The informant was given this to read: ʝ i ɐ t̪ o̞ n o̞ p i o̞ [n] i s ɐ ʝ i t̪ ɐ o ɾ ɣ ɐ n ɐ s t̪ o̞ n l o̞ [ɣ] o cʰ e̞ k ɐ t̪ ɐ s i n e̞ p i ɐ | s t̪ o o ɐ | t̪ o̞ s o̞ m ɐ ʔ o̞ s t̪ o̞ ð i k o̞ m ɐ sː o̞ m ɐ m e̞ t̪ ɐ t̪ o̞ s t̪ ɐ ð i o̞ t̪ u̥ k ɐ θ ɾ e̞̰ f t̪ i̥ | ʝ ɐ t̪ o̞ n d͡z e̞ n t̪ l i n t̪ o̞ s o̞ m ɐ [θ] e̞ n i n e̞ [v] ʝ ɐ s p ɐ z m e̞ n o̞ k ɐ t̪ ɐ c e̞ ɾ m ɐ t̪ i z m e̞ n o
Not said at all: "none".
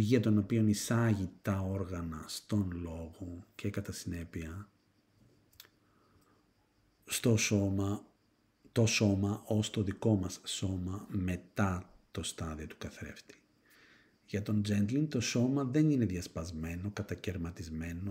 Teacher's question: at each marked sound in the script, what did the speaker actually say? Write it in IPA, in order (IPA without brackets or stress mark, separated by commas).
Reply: n, ɣ, ð, ð